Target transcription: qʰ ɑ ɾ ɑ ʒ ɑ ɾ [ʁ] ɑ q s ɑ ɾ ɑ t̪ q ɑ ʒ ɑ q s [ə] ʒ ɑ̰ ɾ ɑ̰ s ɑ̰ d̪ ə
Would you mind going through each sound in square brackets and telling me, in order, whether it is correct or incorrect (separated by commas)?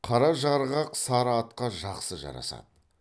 correct, correct